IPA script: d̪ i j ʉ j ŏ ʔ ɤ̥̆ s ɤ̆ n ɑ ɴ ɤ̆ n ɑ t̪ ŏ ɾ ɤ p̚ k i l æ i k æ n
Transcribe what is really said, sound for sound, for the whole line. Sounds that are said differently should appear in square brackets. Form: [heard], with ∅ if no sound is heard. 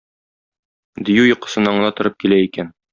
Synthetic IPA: d̪ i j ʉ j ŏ [q] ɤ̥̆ s ɤ̆ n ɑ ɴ ɤ̆ n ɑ t̪ ŏ ɾ ɤ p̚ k i l æ i k æ n